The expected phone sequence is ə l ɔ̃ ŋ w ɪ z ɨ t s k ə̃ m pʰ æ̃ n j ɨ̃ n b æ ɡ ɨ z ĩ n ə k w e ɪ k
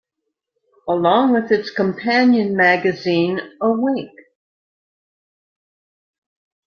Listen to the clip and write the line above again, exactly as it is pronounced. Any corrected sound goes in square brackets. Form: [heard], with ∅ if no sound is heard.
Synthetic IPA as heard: ə l ɔ̃ ŋ w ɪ [ð] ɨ t s k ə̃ m pʰ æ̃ n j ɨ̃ n [m] æ ɡ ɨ z ĩ n ə [∅] w e ɪ k